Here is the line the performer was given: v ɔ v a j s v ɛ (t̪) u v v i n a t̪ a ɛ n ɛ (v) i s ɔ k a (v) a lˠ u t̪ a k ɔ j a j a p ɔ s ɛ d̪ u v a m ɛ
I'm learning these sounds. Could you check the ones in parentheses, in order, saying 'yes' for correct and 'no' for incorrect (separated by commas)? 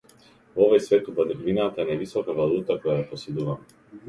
yes, yes, yes